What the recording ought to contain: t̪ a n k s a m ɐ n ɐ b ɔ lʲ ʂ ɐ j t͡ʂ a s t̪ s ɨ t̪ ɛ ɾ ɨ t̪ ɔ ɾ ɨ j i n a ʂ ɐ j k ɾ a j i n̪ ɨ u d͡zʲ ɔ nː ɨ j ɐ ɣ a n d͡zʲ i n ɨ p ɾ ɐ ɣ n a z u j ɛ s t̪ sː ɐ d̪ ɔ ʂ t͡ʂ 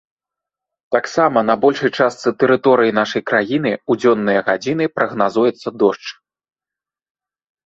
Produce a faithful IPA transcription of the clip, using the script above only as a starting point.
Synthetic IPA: t̪ a k s a m ɐ n ɐ b ɔ lʲ ʂ ɐ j t͡ʂ a s t̪ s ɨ t̪ ɛ ɾ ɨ t̪ ɔ ɾ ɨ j i n a ʂ ɐ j k ɾ a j i n̪ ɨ u d͡zʲ ɔ nː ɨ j ɐ ɣ a d͡zʲ i n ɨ p ɾ ɐ ɣ n a z u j ɛ t̪ sː ɐ d̪ ɔ ʂ t͡ʂ